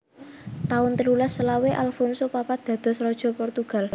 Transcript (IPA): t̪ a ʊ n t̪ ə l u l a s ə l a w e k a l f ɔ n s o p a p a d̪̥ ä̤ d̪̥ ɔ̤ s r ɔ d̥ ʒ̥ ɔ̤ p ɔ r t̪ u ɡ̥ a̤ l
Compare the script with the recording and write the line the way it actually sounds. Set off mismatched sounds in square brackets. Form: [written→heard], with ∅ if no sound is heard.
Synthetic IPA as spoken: t̪ a ʊ n t̪ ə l u l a s ə l a w e [k→ʔ] a l f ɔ n s o p a p a d̪̥ ä̤ d̪̥ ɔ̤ s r ɔ d̥ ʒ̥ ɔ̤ p ɔ r t̪ u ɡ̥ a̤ l